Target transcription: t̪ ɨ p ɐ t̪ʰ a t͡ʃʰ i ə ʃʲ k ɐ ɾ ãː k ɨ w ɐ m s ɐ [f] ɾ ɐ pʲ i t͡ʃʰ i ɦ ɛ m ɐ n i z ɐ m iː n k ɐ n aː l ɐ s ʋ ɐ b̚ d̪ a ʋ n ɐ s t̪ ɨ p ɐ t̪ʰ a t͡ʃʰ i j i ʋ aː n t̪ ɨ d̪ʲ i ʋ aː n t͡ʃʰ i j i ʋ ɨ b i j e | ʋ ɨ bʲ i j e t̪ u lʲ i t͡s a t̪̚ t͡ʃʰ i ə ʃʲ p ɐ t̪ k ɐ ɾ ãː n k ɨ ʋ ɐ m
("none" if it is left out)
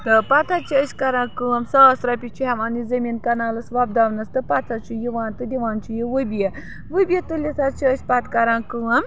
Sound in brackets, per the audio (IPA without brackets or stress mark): s